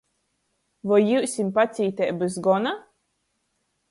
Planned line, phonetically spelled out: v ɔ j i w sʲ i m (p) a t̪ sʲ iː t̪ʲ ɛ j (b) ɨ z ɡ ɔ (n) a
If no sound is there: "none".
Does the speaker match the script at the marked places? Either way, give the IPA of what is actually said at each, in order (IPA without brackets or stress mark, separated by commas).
p, b, n